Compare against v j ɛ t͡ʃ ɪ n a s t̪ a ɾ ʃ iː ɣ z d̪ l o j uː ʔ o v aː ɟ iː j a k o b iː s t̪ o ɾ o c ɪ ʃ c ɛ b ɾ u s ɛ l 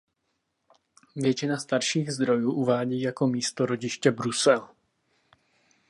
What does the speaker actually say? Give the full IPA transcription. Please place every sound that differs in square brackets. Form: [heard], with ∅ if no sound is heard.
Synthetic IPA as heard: v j ɛ t͡ʃ ɪ n a s t̪ a ɾ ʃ iː ɣ z d̪ [ɾ] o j uː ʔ [u] v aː ɟ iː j a k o [m] iː s t̪ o ɾ o [ɟ] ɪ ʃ c ɛ b ɾ u s ɛ l